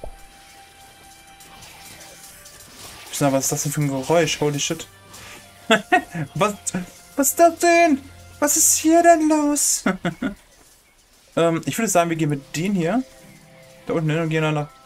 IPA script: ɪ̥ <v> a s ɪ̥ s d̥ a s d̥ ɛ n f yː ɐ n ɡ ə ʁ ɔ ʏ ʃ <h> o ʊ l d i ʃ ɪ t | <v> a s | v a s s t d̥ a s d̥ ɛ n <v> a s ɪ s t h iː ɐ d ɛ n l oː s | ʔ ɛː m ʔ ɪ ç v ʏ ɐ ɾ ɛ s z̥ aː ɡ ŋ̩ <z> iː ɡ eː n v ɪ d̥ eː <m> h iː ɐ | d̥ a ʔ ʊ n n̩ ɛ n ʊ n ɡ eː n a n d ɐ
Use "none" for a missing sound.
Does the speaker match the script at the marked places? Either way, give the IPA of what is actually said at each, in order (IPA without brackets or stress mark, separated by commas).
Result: v, h, v, v, v, n